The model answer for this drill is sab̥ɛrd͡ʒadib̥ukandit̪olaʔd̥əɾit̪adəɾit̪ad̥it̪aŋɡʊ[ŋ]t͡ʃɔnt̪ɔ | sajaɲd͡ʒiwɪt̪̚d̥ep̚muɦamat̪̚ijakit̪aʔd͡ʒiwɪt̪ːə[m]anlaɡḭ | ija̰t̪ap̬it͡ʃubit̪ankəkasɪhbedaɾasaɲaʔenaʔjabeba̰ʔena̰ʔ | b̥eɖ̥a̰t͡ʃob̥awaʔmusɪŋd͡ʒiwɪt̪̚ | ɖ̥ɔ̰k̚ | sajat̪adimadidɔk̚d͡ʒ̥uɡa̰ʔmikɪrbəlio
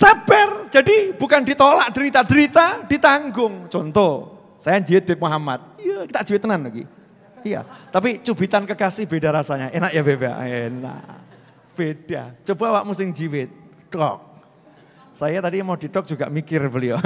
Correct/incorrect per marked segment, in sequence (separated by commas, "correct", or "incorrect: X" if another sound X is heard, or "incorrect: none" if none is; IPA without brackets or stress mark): correct, incorrect: n